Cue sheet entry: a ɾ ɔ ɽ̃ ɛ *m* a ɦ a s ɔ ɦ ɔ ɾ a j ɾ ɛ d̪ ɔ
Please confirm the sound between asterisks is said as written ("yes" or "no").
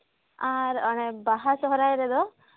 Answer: no